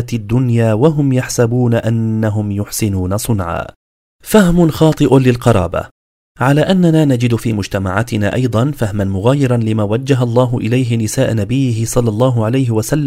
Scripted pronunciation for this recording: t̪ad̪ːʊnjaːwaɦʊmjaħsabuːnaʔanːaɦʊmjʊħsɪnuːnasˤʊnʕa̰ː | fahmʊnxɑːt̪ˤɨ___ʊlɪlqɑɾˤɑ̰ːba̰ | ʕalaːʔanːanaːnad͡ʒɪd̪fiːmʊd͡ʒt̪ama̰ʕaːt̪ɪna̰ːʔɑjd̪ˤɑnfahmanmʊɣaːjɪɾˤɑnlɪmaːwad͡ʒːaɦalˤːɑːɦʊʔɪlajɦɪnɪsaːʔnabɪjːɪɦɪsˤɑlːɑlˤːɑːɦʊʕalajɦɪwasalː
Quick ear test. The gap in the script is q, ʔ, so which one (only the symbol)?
ʔ